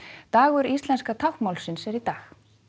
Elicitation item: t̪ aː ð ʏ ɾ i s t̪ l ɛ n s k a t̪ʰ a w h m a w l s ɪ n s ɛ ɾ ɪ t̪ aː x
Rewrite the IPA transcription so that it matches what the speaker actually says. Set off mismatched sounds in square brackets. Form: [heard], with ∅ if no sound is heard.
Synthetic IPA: t̪ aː [ɣ] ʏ ɾ i s t̪ l ɛ n s k a t̪ʰ a w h m a w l s ɪ n s ɛ ɾ [i] t̪ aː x